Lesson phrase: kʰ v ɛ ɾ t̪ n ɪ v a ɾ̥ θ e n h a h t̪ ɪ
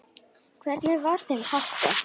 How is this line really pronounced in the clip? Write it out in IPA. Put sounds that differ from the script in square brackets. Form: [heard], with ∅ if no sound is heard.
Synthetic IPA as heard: kʰ v ɛ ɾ t̪ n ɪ v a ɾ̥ θ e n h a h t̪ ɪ